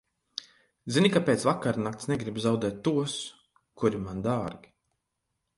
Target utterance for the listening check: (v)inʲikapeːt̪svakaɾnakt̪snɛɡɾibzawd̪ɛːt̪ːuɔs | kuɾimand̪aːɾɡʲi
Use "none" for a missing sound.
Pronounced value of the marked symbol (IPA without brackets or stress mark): z